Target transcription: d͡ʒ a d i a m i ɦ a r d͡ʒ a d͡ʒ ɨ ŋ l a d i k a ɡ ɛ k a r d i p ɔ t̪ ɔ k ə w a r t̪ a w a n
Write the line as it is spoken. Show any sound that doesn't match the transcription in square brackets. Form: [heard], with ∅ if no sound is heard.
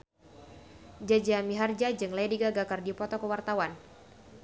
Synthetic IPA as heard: d͡ʒ a [d͡ʒ] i a m i ɦ a r d͡ʒ a d͡ʒ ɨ ŋ l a d i [ɡ] a ɡ [a] k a r d i p ɔ t̪ ɔ k ə w a r t̪ a w a n

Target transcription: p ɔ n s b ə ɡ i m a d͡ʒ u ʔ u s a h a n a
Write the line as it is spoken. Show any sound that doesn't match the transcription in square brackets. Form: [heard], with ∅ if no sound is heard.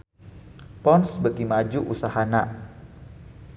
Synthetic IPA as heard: p ɔ n s b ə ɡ i m a d͡ʒ u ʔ u s a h a n a

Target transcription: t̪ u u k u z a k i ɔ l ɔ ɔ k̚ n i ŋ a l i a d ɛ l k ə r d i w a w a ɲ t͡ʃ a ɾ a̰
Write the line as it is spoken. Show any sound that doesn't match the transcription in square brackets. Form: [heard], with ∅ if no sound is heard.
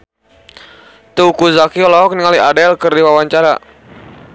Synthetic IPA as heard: t̪ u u k u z a k i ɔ l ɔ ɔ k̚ n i ŋ a l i a d ɛ l k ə r d i w a w a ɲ t͡ʃ a ɾ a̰

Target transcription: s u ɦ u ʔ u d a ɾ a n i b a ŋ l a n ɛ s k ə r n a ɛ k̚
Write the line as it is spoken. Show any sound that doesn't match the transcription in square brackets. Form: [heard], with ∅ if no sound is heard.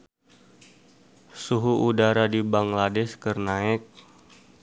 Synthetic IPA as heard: s u ɦ u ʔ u d a ɾ a [d] i b a ŋ l a [d] ɛ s k ə r n a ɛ k̚

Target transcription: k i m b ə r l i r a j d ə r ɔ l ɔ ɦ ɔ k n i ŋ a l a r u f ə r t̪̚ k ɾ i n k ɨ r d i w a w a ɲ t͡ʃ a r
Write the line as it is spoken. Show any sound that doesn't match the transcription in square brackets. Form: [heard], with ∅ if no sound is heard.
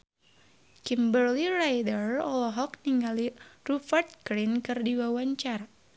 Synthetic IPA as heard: k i m b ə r l i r a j d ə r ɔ l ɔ ɦ ɔ k n i ŋ a l [i] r u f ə r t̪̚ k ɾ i n k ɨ r d i w a w a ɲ t͡ʃ a r

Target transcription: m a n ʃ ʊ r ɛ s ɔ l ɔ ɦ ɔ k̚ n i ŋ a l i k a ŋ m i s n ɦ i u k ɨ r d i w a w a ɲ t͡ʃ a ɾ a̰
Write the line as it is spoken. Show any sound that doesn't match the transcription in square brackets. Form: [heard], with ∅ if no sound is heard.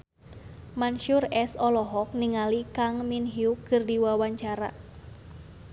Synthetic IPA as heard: m a n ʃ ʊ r ɛ s ɔ l ɔ ɦ ɔ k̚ n i ŋ a l i k a ŋ m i [∅] n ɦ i u k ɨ r d i w a w a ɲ t͡ʃ a ɾ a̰

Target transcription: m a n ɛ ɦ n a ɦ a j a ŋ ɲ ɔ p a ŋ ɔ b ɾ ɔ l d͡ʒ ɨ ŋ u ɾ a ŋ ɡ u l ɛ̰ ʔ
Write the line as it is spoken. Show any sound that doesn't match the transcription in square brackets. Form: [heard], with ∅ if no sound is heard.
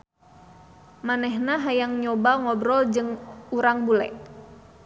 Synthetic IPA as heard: m a n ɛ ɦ n a ɦ a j a ŋ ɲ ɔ [b] a ŋ ɔ b ɾ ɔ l d͡ʒ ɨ ŋ u ɾ a ŋ [b] u l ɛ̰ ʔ

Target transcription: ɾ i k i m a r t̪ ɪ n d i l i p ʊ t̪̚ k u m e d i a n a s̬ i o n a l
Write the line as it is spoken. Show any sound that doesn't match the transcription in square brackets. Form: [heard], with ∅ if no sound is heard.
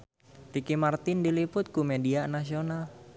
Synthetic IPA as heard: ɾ i k i m a r t̪ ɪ n d i l i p ʊ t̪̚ k u m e d i a n a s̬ i o n a l

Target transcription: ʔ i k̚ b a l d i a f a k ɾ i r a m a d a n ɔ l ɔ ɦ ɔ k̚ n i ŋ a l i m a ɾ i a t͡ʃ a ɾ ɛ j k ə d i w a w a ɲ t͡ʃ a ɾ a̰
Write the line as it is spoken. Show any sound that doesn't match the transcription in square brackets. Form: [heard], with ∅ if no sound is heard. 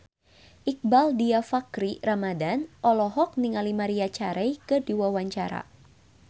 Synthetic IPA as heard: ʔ i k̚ b a l d i a f a k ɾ i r a m a d a n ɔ l ɔ ɦ ɔ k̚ n i ŋ a l i m a ɾ i a t͡ʃ a ɾ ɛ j k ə d i w a w a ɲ t͡ʃ a ɾ a̰

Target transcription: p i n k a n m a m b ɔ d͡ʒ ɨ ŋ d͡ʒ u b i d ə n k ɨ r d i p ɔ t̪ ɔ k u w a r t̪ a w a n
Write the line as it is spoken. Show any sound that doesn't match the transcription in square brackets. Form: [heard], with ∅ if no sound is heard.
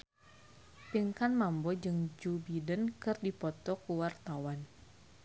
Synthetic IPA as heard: p i [ŋ] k a n m a m b ɔ d͡ʒ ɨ ŋ d͡ʒ u b i d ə n k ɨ r d i p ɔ t̪ ɔ k u w a r t̪ a w a n

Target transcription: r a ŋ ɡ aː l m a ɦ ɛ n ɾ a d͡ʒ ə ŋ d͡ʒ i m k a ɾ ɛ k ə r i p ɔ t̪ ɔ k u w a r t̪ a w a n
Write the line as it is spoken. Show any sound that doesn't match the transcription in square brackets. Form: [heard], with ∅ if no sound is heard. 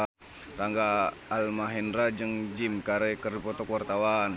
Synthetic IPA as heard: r a ŋ ɡ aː l m a ɦ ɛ n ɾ a d͡ʒ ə ŋ d͡ʒ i m k a ɾ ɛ k ə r i p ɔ t̪ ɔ k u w a r t̪ a w a n

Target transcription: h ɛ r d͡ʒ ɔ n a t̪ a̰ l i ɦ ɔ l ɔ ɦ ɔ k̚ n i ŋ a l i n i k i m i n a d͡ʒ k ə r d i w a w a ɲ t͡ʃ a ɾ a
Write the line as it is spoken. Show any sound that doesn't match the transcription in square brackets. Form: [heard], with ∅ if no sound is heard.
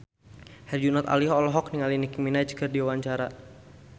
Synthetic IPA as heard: h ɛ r d͡ʒ [u] n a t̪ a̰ l i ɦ ɔ l ɔ ɦ ɔ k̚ n i ŋ a l i n i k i m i n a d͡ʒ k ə r d i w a w a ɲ t͡ʃ a ɾ a

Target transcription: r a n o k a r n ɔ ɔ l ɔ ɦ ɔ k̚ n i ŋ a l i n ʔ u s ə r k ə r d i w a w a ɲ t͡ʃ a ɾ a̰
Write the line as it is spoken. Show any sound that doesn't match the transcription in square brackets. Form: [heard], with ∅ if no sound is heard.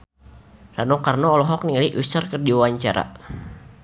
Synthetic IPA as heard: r a n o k a r n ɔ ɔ l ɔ ɦ ɔ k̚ n i ŋ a l i [∅] ʔ u s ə r k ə r d i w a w a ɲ t͡ʃ a ɾ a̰

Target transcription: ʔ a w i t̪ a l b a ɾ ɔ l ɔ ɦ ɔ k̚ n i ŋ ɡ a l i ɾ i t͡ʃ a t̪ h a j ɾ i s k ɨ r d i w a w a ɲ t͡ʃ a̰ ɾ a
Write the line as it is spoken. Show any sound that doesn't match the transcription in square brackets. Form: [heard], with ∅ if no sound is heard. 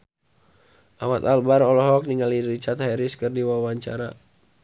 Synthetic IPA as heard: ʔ a w [a] t̪ a l b a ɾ ɔ l ɔ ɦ ɔ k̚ n i ŋ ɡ a l i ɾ i t͡ʃ a t̪ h a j ɾ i s k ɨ r d i w a w a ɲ t͡ʃ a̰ ɾ a

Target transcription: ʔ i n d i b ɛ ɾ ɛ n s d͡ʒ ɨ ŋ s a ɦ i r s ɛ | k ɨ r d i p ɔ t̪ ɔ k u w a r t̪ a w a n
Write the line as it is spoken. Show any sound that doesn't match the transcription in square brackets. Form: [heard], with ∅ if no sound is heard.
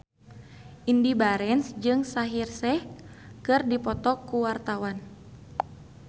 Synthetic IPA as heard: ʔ i n d i b [a] ɾ ɛ n s d͡ʒ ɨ ŋ s a ɦ i r s ɛ | k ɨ r d i p ɔ t̪ ɔ k u w a r t̪ a w a n

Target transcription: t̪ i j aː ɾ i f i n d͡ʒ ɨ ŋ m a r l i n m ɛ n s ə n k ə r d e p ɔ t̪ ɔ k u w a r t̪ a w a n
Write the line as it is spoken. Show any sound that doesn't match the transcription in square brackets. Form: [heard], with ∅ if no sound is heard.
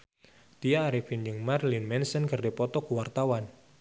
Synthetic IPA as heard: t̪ i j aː ɾ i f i n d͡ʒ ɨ ŋ m a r l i n m ɛ n s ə n k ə r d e p ɔ t̪ ɔ k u w a r t̪ a w a n

